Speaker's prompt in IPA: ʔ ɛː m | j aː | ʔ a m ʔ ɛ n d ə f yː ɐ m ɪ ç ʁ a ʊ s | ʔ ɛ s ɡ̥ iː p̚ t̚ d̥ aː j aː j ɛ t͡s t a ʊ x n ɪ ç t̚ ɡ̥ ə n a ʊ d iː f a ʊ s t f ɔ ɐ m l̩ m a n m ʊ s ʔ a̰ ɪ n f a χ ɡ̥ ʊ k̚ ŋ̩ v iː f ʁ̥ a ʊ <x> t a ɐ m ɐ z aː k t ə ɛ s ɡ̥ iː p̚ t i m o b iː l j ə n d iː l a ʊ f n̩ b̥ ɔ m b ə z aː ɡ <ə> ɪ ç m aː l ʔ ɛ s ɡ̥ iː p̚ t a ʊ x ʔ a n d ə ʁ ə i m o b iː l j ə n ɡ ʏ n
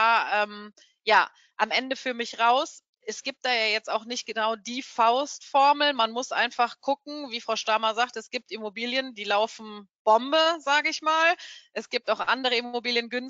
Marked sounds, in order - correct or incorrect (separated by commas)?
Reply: incorrect, correct